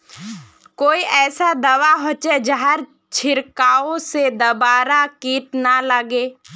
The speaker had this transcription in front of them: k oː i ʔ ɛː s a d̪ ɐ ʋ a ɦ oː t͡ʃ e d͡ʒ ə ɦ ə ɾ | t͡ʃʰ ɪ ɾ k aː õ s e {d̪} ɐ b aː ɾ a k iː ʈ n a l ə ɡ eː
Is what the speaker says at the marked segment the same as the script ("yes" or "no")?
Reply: yes